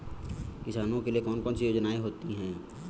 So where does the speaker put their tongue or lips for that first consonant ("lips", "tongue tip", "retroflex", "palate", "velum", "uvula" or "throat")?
velum